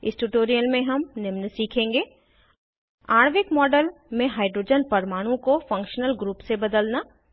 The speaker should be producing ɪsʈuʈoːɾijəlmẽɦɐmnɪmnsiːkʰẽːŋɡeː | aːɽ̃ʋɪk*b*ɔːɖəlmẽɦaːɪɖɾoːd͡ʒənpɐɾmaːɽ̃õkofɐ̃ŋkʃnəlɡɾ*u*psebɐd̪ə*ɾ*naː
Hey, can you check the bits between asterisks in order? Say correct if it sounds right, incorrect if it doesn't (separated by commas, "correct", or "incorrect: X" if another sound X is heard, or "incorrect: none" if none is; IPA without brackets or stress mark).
incorrect: m, incorrect: uː, incorrect: l